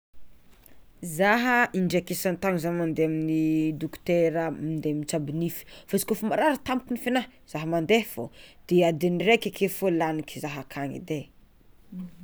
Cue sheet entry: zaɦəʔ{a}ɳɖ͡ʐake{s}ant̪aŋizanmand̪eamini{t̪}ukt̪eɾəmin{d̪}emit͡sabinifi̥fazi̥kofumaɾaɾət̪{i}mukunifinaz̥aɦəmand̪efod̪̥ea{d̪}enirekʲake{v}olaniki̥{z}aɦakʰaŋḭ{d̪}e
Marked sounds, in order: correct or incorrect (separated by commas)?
incorrect, correct, incorrect, correct, incorrect, correct, incorrect, correct, correct